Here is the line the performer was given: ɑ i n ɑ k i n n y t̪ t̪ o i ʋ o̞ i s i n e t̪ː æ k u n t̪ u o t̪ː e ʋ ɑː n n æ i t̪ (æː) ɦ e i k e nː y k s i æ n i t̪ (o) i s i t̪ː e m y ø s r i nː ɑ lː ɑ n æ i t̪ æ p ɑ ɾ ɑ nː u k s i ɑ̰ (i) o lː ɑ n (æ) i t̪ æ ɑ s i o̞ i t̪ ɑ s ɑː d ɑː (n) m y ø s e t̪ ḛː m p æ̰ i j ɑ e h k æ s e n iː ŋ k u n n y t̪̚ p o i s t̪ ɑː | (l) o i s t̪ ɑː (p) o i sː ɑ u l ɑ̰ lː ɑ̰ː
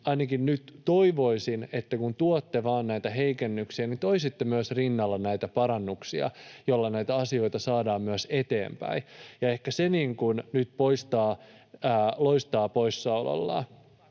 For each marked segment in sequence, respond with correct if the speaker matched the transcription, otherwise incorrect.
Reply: incorrect: æ, correct, incorrect: j, correct, incorrect: m, correct, correct

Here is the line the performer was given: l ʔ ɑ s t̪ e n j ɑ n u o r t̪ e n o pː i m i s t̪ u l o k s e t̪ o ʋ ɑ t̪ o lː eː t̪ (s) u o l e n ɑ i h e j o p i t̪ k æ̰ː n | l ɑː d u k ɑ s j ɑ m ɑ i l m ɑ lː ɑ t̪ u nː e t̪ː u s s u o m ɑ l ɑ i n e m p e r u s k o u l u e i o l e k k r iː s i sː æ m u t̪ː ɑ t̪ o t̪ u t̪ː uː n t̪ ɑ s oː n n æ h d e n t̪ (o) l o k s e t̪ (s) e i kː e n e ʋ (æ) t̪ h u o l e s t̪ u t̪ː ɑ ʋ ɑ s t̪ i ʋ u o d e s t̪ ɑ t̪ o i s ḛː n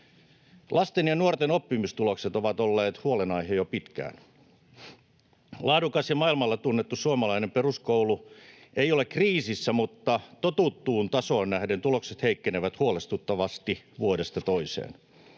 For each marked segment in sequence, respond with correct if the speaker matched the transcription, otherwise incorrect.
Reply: incorrect: h, incorrect: u, incorrect: h, correct

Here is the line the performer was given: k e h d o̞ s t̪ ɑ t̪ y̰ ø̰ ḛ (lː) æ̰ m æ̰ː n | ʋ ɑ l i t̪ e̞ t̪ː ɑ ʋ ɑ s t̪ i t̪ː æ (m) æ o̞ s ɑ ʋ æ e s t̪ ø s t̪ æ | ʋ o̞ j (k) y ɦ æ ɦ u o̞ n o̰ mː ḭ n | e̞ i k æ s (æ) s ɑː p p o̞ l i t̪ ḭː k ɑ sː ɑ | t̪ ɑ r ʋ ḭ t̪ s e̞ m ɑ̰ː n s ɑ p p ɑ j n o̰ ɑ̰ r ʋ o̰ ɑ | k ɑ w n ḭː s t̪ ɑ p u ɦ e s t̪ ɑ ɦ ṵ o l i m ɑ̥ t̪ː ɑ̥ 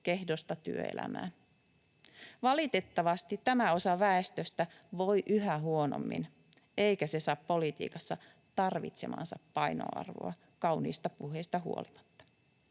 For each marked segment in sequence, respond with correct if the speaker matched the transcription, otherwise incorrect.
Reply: incorrect: l, correct, incorrect: ʔ, incorrect: e

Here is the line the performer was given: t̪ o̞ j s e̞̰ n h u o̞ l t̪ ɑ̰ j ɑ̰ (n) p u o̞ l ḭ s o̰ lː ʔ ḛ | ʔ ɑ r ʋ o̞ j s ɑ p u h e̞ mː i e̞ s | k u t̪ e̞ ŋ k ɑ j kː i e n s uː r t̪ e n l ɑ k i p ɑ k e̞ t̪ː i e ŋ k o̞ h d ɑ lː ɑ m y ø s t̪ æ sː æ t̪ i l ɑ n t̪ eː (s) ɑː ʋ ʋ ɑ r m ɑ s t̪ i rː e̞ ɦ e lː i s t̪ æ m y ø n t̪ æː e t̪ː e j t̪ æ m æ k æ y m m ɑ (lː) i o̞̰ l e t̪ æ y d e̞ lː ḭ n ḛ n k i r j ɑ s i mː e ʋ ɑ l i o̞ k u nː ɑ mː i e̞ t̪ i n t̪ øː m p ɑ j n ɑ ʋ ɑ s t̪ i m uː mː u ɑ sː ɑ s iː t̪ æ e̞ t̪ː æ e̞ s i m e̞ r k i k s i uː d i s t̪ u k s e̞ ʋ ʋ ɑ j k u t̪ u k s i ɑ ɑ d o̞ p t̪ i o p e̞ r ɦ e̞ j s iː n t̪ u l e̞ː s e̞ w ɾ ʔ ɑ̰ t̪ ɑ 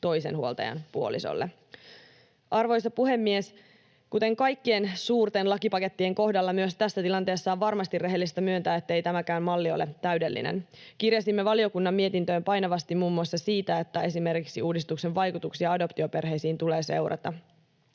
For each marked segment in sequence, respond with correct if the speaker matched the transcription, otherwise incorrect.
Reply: correct, incorrect: sː, correct

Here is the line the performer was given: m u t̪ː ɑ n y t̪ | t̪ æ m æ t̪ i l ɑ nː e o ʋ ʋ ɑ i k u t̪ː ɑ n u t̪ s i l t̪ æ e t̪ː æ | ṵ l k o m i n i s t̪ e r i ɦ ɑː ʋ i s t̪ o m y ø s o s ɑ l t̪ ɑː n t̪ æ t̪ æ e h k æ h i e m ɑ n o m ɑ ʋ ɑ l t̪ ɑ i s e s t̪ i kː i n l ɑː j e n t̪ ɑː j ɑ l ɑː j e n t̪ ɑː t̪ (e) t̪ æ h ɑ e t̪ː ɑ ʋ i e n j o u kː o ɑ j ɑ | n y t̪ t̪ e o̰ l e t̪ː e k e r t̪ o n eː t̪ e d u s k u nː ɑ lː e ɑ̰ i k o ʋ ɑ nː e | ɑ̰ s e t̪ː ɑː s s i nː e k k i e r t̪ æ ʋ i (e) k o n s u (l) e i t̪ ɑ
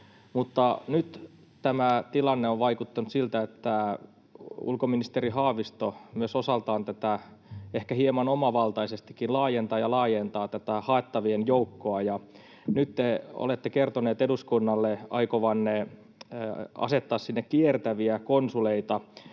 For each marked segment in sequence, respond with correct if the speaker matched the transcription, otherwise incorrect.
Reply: incorrect: æ, incorrect: æ, correct

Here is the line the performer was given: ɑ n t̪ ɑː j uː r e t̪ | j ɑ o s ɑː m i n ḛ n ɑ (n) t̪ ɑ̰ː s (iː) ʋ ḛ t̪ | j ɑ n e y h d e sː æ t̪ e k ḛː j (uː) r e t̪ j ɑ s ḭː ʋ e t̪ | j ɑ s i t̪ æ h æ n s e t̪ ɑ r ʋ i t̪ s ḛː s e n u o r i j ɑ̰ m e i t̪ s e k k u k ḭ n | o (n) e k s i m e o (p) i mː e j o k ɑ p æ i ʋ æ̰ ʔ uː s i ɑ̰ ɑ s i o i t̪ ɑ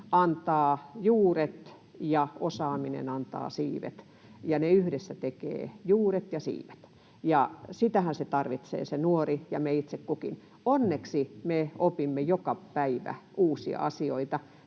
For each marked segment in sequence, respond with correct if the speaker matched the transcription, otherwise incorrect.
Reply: correct, correct, correct, incorrect: nː, correct

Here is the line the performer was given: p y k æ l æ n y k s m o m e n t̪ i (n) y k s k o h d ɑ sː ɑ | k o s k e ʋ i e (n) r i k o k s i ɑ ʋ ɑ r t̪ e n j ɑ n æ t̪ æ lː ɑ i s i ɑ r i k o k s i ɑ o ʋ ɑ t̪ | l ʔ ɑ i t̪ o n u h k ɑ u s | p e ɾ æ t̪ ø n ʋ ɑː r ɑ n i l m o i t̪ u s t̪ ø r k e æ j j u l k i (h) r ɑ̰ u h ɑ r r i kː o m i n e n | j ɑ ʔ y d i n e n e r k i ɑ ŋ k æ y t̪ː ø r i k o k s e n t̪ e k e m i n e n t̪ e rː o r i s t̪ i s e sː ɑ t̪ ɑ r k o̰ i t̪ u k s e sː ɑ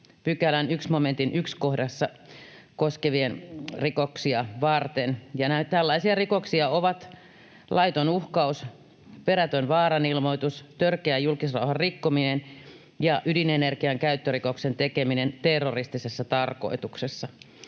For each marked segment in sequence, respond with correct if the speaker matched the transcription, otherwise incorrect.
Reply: correct, correct, incorrect: s

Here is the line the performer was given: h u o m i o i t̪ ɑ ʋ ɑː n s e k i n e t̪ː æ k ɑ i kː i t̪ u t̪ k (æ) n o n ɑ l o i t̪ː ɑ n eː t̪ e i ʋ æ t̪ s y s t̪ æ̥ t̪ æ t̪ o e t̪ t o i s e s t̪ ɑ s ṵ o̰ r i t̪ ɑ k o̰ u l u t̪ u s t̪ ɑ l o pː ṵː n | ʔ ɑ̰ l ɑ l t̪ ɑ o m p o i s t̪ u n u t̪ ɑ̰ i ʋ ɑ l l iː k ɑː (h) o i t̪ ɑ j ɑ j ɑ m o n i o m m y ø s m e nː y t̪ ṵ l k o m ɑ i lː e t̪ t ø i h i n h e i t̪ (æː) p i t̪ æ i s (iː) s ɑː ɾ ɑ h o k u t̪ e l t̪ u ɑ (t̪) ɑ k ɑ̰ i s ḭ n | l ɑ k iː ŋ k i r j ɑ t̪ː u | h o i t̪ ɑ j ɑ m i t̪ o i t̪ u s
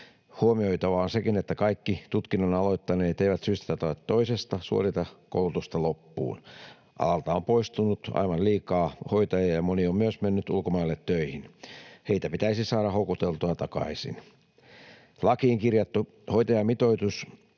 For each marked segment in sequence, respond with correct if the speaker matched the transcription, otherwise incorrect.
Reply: incorrect: i, correct, incorrect: æ, incorrect: i, correct

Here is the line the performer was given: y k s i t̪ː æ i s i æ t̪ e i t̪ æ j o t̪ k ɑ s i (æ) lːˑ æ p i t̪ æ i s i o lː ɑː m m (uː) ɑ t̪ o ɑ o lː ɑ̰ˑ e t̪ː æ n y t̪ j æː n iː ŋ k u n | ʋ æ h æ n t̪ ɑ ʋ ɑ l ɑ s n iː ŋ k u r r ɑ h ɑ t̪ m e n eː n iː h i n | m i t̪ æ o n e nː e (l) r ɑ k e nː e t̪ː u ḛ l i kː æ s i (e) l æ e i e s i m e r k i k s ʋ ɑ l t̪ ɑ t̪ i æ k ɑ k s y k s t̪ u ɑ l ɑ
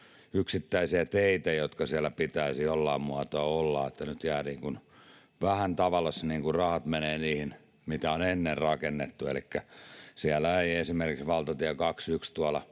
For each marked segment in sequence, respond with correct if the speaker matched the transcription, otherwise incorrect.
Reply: correct, incorrect: u, incorrect: r, incorrect: æ

